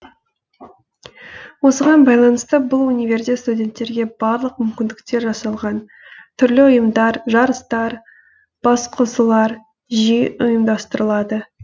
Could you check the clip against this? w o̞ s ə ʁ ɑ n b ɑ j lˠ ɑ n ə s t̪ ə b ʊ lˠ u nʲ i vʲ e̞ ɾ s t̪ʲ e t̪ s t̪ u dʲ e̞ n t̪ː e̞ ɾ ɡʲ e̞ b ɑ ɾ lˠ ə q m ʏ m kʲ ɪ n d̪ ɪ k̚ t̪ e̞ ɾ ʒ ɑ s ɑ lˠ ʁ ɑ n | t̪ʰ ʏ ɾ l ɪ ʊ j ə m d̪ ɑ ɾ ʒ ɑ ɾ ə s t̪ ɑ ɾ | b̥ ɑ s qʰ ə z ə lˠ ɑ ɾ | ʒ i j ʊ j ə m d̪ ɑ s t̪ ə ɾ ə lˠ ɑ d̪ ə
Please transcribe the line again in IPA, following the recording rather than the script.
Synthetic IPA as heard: w o̞ s ə ʁ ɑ n b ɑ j lˠ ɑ n ə s t̪ ə b ʊ lˠ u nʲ i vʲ e̞ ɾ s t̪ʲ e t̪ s t̪ u dʲ e̞ n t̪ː e̞ ɾ ɡʲ e̞ b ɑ ɾ lˠ ə q m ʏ m kʲ ɪ n d̪ ɪ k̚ t̪ e̞ ɾ ʒ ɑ s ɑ lˠ ʁ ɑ n | t̪ʰ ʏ ɾ l ɪ ʊ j ə m d̪ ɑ ɾ ʒ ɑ ɾ ə s t̪ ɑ ɾ | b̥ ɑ s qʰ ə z ə lˠ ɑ ɾ | ʒ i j ʊ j ə m d̪ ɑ s t̪ ə ɾ ə lˠ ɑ d̪ ə